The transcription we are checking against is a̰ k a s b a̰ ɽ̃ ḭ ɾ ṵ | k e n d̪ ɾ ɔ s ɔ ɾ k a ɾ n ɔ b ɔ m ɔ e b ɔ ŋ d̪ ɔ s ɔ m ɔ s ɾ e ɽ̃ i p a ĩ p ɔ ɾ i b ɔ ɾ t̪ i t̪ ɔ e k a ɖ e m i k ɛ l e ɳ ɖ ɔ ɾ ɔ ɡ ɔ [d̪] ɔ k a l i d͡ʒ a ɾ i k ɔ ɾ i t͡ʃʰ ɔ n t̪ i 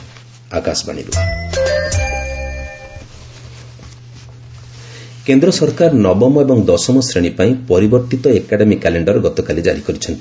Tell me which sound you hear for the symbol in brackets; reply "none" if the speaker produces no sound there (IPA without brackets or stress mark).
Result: t̪